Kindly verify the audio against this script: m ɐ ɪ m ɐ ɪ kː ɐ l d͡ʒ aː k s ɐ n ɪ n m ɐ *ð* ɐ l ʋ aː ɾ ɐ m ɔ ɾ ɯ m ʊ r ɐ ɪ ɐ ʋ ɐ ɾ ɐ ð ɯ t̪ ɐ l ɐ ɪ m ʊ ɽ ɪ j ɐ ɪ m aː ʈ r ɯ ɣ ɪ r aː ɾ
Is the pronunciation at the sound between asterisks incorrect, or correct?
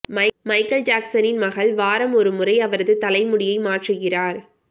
incorrect